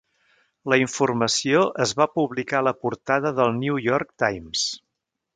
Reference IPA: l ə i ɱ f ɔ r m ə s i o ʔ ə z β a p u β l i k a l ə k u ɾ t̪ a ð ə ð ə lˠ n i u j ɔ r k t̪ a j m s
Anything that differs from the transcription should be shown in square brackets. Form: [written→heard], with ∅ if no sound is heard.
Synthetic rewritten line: l ə i ɱ f [ɔ→u] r m ə s i o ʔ ə z β a p u β l i k a l ə [k→p] u ɾ t̪ a ð ə ð ə lˠ n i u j ɔ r k t̪ a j m s